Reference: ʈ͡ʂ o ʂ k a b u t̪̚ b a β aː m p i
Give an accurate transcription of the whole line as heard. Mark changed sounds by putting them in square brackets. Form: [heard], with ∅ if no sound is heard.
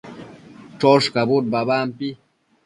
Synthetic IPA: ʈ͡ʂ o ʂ k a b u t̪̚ b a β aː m p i